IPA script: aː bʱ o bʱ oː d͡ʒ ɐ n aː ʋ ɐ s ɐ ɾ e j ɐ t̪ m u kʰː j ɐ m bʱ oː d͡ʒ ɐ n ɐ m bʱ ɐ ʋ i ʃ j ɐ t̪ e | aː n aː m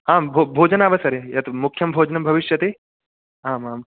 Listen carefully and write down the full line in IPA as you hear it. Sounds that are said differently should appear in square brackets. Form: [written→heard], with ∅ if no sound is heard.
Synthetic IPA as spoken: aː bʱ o bʱ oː d͡ʒ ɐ n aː ʋ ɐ s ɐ ɾ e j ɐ t̪ m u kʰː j ɐ m bʱ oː d͡ʒ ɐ n ɐ m bʱ ɐ ʋ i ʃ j ɐ t̪ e | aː [n→m] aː m